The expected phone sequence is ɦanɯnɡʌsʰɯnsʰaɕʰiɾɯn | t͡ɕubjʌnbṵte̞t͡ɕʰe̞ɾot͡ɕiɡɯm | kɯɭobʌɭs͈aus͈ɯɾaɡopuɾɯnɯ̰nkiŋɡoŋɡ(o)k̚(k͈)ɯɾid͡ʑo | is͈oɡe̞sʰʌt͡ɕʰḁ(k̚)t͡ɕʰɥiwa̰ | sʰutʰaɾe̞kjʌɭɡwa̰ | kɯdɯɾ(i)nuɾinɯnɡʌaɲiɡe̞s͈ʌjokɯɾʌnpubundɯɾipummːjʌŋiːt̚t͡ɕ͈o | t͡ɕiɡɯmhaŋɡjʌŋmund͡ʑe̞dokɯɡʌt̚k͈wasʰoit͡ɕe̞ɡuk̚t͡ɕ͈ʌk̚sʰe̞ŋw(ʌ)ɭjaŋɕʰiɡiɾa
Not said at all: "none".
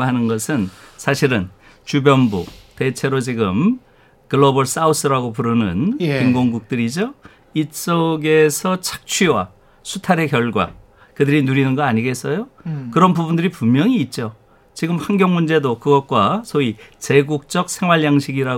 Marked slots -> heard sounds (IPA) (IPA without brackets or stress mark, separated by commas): u, t͈, k̚, i, a